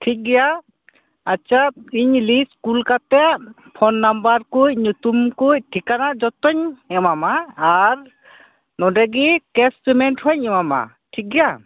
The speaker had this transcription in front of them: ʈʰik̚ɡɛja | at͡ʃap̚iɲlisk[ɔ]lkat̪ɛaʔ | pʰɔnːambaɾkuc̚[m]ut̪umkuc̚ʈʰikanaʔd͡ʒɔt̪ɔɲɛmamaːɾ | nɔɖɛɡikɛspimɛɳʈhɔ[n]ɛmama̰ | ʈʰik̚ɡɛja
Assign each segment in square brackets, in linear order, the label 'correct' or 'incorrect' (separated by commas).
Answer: incorrect, incorrect, incorrect